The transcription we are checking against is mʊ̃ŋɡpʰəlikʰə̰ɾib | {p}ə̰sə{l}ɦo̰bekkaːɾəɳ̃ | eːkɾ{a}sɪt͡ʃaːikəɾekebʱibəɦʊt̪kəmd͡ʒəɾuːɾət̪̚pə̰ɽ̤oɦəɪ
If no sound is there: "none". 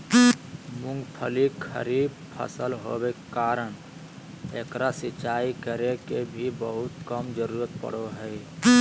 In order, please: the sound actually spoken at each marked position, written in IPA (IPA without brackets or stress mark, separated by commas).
pʰ, l, a